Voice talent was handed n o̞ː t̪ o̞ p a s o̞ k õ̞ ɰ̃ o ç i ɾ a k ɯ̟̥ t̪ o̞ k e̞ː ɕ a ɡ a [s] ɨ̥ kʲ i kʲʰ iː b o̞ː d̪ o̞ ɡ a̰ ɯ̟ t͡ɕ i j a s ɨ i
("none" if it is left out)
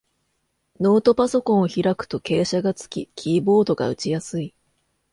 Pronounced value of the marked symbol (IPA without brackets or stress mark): t͡s